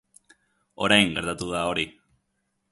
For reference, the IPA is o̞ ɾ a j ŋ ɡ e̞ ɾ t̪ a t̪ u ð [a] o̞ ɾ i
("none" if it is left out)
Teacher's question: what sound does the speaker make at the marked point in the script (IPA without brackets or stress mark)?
a